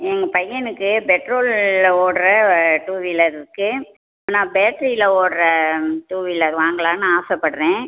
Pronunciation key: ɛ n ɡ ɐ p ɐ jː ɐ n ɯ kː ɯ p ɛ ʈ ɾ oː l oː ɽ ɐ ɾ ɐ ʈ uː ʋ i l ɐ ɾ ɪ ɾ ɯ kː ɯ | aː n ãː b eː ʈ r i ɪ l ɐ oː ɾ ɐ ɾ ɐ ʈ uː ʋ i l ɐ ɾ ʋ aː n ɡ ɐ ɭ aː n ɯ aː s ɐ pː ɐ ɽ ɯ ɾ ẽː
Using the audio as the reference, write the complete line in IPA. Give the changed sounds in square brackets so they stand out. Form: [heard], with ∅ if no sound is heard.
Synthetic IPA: ɛ [ŋ] ɡ ɐ p ɐ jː ɐ n ɯ kː ɯ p ɛ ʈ ɾ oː l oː ɽ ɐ ɾ ɐ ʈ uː ʋ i l ɐ ɾ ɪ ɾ ɯ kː ɯ | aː n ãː b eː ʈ [ɾ] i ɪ l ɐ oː [ɽ] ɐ ɾ ɐ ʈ uː ʋ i l ɐ ɾ ʋ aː [ŋ] ɡ ɐ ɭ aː n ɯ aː s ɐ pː ɐ ɽ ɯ ɾ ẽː